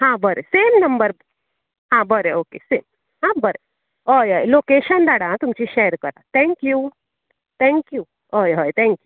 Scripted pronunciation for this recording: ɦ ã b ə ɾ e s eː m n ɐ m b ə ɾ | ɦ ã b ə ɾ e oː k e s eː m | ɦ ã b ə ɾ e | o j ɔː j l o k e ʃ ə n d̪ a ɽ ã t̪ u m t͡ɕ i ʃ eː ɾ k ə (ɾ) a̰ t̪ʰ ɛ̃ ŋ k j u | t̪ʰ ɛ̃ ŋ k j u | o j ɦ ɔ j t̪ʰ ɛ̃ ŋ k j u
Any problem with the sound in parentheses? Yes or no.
no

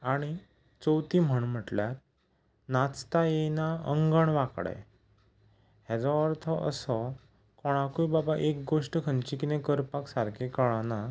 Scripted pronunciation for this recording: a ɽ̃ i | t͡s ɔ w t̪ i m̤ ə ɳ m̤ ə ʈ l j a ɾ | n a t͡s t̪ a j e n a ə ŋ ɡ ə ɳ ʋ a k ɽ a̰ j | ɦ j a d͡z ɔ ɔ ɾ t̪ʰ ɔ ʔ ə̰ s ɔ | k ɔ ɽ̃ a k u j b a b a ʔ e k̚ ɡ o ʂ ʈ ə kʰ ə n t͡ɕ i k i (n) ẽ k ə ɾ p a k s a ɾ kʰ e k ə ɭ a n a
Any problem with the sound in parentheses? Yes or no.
no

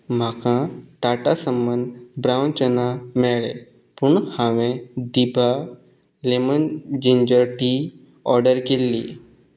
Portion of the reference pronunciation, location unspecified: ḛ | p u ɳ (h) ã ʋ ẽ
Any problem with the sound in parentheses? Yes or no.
no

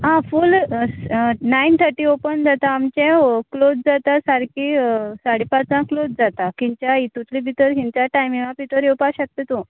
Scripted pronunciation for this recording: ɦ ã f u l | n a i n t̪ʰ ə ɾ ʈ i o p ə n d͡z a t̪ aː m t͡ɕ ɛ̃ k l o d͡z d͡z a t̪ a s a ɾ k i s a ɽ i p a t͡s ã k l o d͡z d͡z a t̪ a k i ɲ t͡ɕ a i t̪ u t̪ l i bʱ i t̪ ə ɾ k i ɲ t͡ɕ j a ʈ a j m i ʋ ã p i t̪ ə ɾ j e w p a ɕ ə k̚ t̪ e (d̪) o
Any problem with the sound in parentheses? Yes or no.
yes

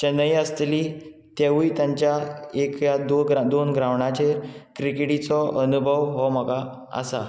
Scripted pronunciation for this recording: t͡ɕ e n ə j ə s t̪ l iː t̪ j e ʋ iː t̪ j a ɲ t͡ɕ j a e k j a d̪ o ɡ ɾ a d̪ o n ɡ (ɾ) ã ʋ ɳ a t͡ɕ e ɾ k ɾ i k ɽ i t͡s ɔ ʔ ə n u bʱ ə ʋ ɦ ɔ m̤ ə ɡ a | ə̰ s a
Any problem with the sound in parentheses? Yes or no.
no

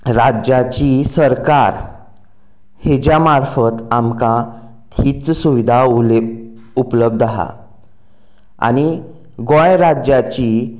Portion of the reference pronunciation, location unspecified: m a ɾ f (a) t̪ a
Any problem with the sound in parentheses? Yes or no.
yes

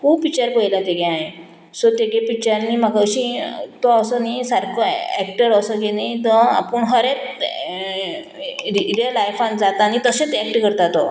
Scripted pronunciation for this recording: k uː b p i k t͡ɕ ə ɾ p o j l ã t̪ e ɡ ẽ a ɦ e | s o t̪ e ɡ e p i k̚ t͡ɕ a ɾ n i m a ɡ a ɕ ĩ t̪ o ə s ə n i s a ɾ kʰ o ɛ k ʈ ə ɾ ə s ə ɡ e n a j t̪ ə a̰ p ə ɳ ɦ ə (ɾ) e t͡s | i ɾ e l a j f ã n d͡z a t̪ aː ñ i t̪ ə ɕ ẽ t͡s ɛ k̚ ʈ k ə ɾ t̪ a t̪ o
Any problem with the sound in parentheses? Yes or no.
no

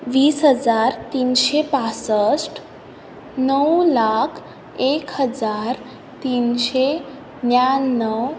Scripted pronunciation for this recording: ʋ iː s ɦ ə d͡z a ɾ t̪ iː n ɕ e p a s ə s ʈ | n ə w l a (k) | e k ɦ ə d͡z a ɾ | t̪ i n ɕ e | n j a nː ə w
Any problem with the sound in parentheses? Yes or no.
yes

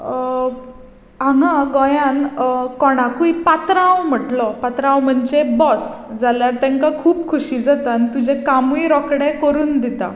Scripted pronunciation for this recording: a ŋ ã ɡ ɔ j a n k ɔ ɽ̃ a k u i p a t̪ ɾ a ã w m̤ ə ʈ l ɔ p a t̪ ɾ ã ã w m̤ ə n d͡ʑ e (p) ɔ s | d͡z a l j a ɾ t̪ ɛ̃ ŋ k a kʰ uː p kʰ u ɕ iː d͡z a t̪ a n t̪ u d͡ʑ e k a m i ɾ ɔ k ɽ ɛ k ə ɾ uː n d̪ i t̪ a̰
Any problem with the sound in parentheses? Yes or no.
yes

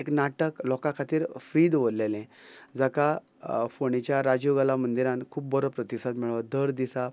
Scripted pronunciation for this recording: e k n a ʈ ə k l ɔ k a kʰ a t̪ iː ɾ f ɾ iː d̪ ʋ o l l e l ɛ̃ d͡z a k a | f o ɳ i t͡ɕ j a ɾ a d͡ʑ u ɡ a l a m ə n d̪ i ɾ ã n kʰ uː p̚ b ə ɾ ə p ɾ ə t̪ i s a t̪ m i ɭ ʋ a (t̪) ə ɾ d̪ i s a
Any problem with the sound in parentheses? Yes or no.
yes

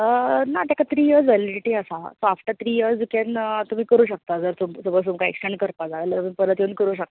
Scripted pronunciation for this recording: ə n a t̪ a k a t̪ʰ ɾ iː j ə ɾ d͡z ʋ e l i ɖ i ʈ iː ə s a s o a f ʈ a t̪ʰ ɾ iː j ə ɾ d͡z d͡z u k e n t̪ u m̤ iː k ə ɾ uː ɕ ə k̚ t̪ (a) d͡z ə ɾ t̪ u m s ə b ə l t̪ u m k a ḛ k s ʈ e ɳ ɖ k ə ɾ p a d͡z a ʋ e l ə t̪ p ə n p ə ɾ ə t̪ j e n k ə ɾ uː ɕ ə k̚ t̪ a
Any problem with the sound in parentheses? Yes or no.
no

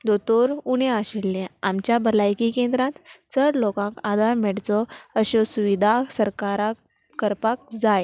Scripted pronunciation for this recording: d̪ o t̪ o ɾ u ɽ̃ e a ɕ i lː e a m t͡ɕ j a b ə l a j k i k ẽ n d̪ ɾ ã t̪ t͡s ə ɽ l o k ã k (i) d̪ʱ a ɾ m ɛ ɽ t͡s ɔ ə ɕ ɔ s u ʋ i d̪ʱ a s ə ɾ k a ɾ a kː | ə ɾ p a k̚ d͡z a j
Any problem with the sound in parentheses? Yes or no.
yes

